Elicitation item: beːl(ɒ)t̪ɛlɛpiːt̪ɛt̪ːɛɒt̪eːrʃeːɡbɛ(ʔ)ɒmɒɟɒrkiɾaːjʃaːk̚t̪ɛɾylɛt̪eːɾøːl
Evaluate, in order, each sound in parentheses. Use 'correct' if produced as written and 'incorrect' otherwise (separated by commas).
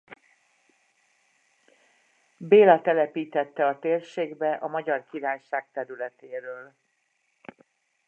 correct, correct